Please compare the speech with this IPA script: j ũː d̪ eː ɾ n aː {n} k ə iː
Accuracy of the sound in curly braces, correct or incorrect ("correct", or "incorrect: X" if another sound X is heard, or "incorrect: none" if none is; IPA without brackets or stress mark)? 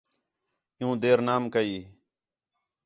incorrect: m